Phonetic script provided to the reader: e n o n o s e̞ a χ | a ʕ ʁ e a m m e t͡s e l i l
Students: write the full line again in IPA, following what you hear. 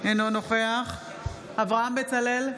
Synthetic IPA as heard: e n o n o χ e̞ a χ | a v ʁ a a m b e t͡s a l e l